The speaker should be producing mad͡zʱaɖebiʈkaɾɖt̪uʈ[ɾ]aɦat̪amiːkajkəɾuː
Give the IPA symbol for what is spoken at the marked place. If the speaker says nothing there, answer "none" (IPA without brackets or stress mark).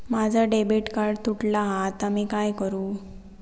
l